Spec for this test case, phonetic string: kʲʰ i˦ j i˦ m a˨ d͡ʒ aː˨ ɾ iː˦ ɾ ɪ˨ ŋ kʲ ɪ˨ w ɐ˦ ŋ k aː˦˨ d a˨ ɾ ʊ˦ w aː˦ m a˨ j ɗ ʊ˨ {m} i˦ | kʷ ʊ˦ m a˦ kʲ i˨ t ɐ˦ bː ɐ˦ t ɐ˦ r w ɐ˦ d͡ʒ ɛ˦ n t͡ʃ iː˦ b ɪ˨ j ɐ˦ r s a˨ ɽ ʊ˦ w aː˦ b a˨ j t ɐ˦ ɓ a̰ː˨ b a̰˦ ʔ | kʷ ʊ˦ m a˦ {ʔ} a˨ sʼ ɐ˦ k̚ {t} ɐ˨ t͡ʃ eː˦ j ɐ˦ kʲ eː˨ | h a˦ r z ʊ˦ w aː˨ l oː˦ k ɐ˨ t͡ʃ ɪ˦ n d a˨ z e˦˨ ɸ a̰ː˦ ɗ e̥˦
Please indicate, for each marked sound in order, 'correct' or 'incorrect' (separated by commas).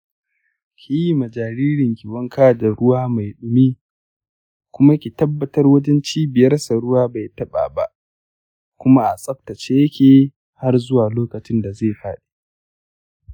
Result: correct, correct, correct